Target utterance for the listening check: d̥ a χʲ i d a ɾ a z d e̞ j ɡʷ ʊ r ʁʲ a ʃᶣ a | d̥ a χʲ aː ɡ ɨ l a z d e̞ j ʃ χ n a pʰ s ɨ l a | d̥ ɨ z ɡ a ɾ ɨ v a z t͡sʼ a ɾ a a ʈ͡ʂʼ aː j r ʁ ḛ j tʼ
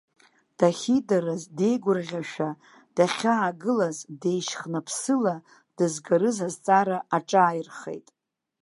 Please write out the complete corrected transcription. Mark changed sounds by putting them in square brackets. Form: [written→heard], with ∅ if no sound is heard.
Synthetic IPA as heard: d̥ a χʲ i d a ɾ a z d e̞ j ɡʷ ʊ r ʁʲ a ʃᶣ a | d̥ a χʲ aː ɡ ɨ l a z d e̞ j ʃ χ n a pʰ s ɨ l a | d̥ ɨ z ɡ a ɾ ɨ [v→z] a z t͡sʼ a ɾ a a ʈ͡ʂʼ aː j r [ʁ→χ] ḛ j tʼ